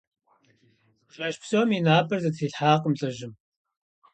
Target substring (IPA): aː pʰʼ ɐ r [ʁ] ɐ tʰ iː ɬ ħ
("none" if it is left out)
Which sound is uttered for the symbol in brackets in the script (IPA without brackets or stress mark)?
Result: z